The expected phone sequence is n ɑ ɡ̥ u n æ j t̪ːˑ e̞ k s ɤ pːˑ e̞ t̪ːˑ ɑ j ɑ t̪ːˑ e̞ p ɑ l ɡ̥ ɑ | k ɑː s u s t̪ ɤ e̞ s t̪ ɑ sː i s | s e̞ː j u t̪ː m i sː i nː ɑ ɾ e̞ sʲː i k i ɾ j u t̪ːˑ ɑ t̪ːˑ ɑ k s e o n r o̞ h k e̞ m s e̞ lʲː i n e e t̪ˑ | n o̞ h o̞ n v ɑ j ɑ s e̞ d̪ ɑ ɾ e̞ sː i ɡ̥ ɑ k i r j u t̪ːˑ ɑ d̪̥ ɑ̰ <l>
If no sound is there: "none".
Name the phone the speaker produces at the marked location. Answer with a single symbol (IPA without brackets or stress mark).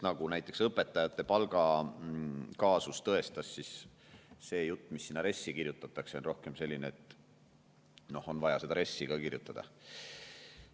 none